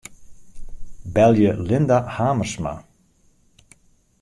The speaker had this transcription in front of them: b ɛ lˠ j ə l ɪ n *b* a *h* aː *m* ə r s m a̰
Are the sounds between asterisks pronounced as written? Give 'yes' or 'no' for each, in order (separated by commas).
no, yes, yes